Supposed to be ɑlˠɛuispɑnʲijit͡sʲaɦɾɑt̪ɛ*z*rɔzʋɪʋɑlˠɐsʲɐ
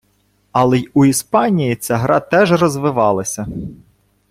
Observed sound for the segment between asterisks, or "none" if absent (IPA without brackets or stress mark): ʒ